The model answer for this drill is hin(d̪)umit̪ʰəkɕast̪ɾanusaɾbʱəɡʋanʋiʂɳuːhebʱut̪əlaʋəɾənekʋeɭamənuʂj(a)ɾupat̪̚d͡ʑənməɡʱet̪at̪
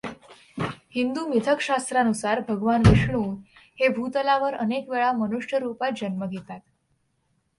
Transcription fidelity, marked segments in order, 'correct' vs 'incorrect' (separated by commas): correct, incorrect